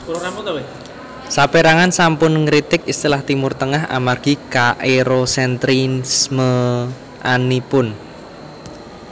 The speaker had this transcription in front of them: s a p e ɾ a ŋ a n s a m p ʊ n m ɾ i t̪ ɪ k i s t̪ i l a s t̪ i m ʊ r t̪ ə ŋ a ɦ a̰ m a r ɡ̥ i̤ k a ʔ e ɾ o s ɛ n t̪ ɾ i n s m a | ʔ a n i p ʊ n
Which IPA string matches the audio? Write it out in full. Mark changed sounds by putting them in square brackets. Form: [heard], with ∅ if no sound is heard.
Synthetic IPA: s a p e ɾ a ŋ a n s a m p ʊ n [ŋ] ɾ i t̪ ɪ k i s t̪ i l a [h] t̪ i m ʊ r t̪ ə ŋ a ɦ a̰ m a r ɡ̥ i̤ k a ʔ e ɾ o s ɛ n t̪ ɾ i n s m [ə] | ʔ a n i p ʊ n

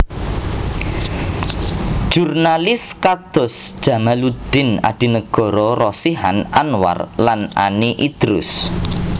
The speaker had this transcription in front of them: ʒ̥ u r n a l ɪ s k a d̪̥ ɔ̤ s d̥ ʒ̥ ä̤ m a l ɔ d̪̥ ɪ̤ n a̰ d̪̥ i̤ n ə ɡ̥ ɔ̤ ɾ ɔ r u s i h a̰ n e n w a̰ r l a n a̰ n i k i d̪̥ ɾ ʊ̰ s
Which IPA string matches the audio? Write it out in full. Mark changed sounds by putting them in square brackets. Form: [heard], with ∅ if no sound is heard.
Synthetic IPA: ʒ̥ u r n a l ɪ s k a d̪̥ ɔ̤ s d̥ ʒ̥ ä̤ m a l [u] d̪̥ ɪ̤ n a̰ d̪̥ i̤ n ə ɡ̥ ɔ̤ ɾ ɔ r [ɔ] s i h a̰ n [a] n w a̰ r l a n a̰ n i [ʔ] i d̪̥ ɾ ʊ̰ s

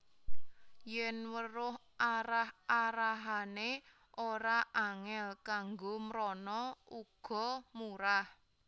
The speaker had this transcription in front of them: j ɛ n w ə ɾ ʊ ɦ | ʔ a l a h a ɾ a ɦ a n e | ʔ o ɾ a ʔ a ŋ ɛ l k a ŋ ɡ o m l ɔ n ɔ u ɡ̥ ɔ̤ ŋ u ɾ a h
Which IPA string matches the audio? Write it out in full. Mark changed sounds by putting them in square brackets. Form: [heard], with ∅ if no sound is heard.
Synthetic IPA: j ɛ n w ə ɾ ʊ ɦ | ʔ a [ɾ] a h a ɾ a ɦ a n e | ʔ o ɾ a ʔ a ŋ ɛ l k a ŋ ɡ o m [ɾ] ɔ n ɔ u ɡ̥ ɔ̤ [m] u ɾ a h

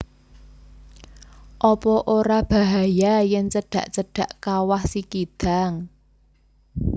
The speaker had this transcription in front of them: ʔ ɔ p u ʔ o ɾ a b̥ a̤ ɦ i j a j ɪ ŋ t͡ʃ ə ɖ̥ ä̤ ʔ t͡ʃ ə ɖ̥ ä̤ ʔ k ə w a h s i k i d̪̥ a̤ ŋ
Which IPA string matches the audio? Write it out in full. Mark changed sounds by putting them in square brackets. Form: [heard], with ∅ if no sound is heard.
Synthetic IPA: ʔ ɔ p [ɔ] ʔ o ɾ a b̥ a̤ ɦ [a] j a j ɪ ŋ t͡ʃ ə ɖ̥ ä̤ ʔ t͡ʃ ə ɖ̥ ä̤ ʔ k [a] w a h s i k i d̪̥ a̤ ŋ

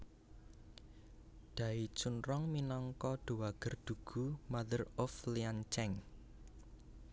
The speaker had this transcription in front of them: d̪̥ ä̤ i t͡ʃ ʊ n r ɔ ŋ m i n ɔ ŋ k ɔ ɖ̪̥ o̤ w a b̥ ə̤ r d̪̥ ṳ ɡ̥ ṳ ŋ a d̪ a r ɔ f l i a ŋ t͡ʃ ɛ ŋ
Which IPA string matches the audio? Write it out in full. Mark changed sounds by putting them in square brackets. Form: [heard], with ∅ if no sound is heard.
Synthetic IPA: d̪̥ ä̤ i t͡ʃ [u] n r ɔ ŋ m i n ɔ ŋ k ɔ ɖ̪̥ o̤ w a [ɡ̥] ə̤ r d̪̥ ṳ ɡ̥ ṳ [m] a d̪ [ə] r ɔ f l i a [n] t͡ʃ ɛ ŋ

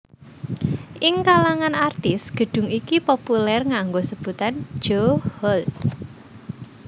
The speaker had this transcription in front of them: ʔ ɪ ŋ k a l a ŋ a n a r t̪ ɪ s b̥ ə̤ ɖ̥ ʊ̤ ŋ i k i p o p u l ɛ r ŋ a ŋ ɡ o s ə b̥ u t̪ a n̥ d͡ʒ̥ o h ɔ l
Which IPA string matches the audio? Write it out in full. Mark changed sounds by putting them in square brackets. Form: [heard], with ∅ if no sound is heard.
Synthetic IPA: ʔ ɪ ŋ k a l a ŋ a n a r t̪ ɪ s [ɡ̥] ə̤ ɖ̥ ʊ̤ ŋ i k i p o p u l ɛ r ŋ a ŋ ɡ o s ə b̥ u t̪ a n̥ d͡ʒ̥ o h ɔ l

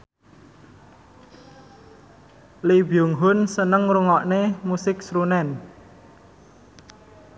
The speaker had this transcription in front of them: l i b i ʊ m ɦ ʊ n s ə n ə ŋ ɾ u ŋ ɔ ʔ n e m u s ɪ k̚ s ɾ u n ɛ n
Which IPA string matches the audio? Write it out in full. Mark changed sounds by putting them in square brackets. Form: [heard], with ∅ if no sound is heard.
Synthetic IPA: l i b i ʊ [ŋ] ɦ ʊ n s ə n ə ŋ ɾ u ŋ ɔ ʔ n e m u s ɪ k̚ s ɾ u n ɛ n

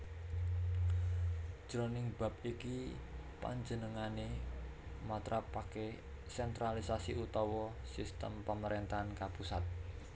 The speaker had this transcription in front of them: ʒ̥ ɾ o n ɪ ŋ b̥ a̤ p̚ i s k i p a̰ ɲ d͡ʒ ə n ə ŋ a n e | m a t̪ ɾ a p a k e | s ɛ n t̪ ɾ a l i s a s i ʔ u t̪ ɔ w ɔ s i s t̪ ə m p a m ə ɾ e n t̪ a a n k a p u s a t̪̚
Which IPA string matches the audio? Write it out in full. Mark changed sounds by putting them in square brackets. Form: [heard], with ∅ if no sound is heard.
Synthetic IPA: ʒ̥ ɾ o n ɪ ŋ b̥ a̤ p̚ i [∅] k i p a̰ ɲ d͡ʒ ə n ə ŋ a n e | m a t̪ ɾ a p a k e | s ɛ n t̪ ɾ a l i s a s i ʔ u t̪ ɔ w ɔ s i s t̪ ə m p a m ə ɾ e n t̪ a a n k a p u s a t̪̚

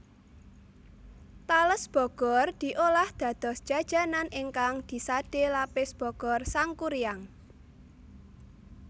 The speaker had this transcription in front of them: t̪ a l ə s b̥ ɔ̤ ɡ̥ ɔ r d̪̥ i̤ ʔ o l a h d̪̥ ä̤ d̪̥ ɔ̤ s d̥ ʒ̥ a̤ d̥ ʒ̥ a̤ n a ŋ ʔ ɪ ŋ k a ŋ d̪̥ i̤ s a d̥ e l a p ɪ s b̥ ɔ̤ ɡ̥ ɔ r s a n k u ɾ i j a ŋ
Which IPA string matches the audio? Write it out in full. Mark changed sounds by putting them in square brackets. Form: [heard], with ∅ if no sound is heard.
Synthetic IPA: t̪ a l ə s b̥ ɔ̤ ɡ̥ ɔ r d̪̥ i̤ ʔ o l a h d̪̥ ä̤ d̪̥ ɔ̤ s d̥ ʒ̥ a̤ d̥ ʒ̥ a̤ n a [n] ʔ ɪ ŋ k a ŋ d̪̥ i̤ s a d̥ e l a p ɪ s b̥ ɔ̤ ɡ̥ ɔ r s a [ŋ] k u ɾ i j a ŋ

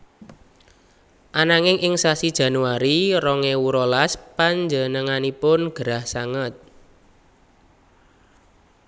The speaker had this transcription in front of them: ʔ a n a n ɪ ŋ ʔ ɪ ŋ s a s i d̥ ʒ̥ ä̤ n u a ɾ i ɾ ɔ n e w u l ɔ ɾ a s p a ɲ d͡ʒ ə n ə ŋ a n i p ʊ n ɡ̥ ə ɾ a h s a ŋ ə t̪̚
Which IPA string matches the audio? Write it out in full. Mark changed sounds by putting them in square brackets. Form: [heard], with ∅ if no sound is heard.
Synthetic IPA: ʔ a n a [ŋ] ɪ ŋ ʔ ɪ ŋ s a s i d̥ ʒ̥ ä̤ n u a ɾ i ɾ ɔ [ŋ] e w u [ɾ] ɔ [l] a s p a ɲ d͡ʒ ə n ə ŋ a n i p ʊ n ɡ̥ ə ɾ a h s a ŋ ə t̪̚

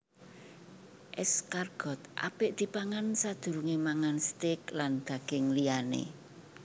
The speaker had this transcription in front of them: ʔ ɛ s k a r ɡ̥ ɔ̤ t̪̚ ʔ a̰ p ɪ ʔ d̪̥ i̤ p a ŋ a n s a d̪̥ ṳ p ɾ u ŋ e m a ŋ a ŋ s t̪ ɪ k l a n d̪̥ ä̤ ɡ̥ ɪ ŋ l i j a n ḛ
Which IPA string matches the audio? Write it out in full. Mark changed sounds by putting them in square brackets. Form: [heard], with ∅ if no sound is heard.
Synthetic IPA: ʔ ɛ s k a r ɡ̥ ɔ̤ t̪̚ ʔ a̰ p ɪ ʔ d̪̥ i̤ p a ŋ a n s a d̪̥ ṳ [∅] ɾ u ŋ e m a ŋ a [n] s t̪ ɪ k l a n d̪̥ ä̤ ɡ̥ ɪ ŋ l i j a n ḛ

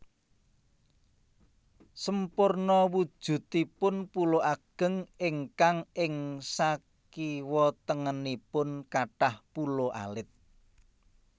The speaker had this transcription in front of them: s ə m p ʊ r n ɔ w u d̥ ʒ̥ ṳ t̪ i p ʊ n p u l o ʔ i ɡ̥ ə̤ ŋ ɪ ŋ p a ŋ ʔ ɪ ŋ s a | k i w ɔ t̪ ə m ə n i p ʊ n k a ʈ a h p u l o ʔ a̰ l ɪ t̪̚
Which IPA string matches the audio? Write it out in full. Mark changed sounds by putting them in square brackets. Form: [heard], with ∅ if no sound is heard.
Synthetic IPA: s ə m p ʊ r n ɔ w u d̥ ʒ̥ ṳ t̪ i p ʊ n p u l o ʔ [a] ɡ̥ ə̤ ŋ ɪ ŋ [k] a ŋ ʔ ɪ ŋ s a | k i w ɔ t̪ ə [ŋ] ə n i p ʊ n k a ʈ a h p u l o ʔ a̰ l ɪ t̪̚

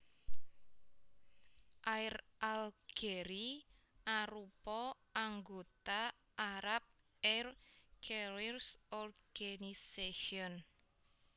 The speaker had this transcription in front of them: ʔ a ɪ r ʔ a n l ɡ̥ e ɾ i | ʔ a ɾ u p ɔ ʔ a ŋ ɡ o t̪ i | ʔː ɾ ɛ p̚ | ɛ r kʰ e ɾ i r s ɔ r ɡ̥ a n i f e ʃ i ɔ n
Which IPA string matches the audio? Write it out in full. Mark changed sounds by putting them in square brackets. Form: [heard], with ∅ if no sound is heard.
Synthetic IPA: ʔ a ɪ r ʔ a [∅] l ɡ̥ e ɾ i | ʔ a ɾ u p ɔ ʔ a ŋ ɡ o t̪ [a] | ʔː ɾ [a] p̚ | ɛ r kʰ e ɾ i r s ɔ r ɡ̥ a n i [s] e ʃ i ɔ n

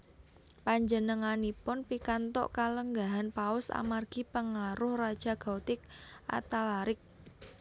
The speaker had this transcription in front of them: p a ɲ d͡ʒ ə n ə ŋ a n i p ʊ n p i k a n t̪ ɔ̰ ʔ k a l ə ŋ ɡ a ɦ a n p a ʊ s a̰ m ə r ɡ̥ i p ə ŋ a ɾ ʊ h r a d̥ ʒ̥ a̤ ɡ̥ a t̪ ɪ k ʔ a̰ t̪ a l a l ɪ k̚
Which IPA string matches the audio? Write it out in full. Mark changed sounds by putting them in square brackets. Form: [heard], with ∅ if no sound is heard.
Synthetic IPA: p a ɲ d͡ʒ ə n ə ŋ a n i p ʊ n p i k a n t̪ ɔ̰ ʔ k a l ə ŋ ɡ a ɦ a n p a ʊ s a̰ m [a] r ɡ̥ i p ə ŋ a ɾ ʊ h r a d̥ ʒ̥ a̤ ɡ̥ a t̪ ɪ k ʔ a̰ t̪ a l a [ɾ] ɪ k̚

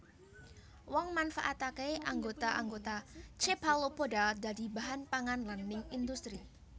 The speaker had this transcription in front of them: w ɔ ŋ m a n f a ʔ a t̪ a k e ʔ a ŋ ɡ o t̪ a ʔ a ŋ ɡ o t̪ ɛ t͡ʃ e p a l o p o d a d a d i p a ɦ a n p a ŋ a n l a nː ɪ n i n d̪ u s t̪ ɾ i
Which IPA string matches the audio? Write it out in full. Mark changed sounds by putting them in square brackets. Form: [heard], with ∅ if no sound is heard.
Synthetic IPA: w ɔ ŋ m a n f a ʔ a t̪ a k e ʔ a ŋ ɡ o t̪ a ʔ a ŋ ɡ o t̪ [a] t͡ʃ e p a l o p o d a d a d i [b] a ɦ a n p a ŋ a n l a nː ɪ [ŋ] i n d̪ u s t̪ ɾ i

